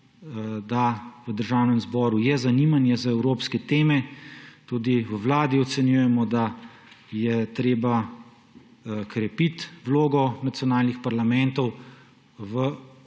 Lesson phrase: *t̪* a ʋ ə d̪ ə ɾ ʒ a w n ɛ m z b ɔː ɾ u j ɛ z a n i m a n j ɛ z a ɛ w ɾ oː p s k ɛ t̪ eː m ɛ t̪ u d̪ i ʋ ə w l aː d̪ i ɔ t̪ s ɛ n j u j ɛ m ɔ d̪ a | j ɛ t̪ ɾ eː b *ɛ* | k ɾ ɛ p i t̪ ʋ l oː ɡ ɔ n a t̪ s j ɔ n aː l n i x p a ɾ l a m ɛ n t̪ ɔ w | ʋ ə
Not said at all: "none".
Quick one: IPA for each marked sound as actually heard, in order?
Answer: d̪, a

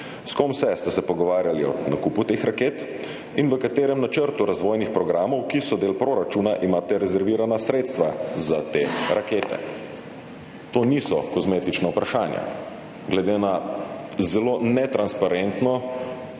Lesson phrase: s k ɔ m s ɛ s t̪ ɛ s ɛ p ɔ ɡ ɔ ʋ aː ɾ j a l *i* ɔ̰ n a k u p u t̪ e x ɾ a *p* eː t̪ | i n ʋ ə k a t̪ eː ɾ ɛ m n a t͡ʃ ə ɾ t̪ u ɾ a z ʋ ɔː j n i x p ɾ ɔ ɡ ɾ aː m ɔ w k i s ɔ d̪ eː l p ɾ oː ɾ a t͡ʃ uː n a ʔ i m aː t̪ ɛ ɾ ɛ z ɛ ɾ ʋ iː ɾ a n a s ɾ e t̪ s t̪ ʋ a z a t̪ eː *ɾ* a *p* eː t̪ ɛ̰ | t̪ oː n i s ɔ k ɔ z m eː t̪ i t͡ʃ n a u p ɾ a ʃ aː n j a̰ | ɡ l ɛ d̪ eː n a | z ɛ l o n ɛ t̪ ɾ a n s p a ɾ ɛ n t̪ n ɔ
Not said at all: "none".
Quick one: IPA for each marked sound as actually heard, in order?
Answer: i, k, ɾ, k

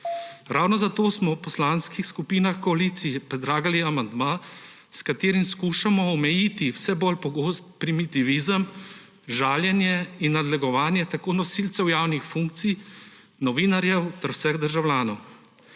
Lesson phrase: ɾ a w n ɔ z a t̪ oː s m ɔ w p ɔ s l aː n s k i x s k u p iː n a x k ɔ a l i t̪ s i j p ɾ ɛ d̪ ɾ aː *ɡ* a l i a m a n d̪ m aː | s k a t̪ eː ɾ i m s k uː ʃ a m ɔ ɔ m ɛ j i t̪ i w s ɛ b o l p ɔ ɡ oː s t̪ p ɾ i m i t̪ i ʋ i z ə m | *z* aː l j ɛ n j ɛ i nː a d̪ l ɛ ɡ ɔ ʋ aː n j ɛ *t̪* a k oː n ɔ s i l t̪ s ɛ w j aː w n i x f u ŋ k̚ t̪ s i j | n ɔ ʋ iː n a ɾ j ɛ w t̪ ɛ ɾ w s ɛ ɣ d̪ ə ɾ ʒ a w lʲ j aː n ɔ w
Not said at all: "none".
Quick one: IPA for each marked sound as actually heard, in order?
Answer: ɡ, ʒ, t̪

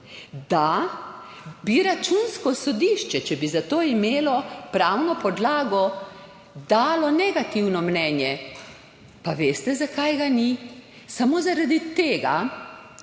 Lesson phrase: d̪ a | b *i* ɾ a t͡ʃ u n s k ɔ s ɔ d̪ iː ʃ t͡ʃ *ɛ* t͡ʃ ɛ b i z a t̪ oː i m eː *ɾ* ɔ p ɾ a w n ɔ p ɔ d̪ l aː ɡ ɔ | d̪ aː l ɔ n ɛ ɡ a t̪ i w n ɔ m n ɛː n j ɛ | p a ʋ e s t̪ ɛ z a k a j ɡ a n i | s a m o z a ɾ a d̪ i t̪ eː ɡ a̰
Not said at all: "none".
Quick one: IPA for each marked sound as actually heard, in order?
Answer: i, ɛ, l

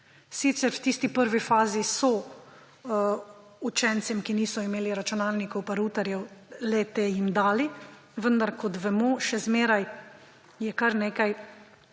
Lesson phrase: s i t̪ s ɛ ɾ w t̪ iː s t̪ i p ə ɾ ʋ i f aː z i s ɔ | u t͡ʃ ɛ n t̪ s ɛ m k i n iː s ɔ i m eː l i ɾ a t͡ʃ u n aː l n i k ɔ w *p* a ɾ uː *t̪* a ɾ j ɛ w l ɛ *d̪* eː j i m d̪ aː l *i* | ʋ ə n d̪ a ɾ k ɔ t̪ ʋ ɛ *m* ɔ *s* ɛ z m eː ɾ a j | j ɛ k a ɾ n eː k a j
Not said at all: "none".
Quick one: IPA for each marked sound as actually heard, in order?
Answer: p, t̪, t̪, i, m, ʃ

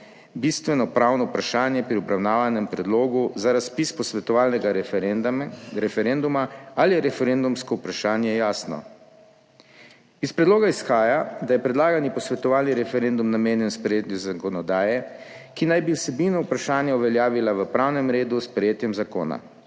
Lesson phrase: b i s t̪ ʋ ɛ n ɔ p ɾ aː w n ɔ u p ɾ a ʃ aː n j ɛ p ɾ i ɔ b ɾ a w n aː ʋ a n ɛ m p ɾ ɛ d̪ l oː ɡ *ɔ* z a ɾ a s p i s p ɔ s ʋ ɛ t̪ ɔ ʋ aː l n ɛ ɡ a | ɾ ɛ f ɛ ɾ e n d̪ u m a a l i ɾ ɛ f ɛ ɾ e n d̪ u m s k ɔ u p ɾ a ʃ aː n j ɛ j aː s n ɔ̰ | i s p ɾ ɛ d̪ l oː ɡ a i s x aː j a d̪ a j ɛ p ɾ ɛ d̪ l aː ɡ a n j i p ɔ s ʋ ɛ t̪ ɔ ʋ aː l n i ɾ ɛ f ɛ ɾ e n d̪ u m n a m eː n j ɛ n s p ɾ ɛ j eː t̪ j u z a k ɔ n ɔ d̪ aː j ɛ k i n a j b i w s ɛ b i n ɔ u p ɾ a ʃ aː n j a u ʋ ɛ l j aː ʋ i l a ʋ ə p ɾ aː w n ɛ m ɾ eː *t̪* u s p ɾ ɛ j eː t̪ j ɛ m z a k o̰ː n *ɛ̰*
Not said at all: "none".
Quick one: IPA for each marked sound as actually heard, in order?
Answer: u, d̪, a̰

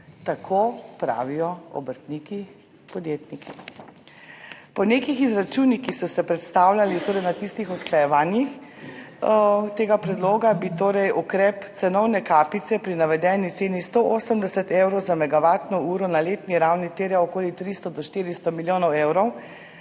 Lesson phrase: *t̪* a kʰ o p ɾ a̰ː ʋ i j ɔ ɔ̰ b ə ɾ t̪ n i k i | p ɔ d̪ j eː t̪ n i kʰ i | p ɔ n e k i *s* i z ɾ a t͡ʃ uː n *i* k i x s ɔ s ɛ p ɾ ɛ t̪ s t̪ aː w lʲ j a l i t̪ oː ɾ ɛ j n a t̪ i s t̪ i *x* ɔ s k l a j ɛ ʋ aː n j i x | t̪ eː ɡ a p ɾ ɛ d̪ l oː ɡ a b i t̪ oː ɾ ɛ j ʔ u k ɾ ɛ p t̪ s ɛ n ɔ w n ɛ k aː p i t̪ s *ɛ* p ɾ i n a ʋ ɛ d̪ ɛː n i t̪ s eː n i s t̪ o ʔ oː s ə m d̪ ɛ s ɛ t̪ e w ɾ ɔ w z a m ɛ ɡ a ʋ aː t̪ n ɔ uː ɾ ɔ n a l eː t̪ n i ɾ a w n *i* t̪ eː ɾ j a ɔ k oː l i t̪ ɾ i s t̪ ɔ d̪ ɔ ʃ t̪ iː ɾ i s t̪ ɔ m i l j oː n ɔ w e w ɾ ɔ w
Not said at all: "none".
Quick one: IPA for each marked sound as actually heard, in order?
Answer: t̪, x, i, x, ɛ, i

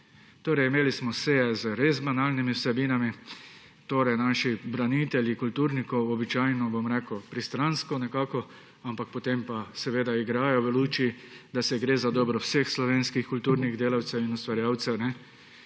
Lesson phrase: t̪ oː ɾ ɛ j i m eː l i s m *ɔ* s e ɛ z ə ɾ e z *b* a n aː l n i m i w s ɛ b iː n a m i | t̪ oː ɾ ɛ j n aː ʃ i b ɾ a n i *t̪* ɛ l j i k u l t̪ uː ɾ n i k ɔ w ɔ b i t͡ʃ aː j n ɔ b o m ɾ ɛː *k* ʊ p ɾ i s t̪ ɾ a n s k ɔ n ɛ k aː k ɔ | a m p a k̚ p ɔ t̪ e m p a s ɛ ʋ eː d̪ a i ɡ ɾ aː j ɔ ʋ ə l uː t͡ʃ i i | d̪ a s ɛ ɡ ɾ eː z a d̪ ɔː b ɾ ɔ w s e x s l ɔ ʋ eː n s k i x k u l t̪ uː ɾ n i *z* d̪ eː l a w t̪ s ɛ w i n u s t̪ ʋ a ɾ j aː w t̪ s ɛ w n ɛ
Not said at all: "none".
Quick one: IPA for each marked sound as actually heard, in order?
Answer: ɔ, b, t̪, k, ɣ

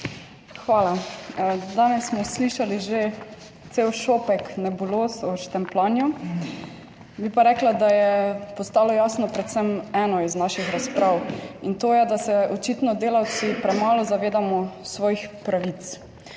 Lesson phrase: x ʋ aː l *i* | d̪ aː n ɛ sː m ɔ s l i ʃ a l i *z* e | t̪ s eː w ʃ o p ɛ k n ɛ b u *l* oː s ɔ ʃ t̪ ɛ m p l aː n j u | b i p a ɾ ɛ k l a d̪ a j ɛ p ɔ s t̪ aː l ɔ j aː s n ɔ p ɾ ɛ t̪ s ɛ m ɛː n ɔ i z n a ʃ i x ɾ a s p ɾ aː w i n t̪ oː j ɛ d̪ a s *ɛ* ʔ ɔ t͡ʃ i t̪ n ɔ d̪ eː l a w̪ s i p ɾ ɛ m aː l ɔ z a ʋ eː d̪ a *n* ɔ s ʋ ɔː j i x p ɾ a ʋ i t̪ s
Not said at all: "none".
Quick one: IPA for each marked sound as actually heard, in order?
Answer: a, ʒ, l, ɛ, m

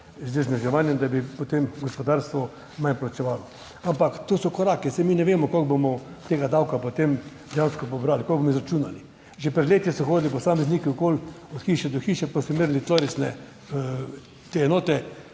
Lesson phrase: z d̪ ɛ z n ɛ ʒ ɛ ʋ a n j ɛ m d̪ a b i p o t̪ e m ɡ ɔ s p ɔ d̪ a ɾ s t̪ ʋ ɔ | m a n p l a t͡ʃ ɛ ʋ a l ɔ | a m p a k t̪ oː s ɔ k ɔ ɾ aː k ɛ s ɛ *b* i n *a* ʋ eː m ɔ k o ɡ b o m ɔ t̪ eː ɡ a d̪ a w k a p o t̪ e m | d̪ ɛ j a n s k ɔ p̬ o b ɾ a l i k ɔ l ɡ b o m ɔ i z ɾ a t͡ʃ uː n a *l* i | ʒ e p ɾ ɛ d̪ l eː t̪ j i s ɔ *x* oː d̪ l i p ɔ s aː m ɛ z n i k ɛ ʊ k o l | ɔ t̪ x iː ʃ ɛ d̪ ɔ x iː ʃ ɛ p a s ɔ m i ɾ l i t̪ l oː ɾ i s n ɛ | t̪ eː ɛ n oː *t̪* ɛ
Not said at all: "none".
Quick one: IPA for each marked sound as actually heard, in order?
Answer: m, ɛ, l, x, t̪

